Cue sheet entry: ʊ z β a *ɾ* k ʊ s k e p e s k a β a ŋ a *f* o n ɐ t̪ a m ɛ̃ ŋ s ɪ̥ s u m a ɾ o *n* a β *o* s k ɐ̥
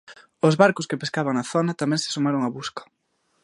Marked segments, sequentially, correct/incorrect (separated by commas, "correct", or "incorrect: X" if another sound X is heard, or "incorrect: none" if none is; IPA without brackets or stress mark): correct, incorrect: θ, incorrect: ŋ, incorrect: u